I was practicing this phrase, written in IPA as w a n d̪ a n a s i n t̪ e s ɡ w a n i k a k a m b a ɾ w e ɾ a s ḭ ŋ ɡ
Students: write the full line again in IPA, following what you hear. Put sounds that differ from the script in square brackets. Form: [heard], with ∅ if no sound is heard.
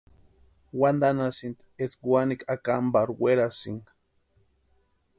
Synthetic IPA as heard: w a n d̪ a n a s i n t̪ e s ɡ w a n i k a k a m b a ɾ w e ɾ a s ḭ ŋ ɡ